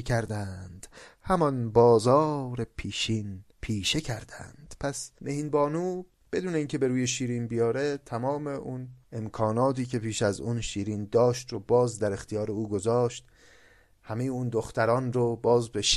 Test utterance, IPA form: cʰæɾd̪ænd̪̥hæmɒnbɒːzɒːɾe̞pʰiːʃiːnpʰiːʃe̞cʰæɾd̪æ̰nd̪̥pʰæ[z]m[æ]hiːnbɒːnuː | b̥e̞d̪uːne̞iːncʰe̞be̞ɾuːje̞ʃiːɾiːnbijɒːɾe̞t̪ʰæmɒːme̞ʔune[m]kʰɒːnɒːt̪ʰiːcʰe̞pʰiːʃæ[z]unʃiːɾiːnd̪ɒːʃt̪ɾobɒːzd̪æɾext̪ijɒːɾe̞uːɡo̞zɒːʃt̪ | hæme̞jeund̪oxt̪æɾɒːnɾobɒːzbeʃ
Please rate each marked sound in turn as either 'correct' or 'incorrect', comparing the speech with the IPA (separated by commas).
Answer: incorrect, incorrect, correct, correct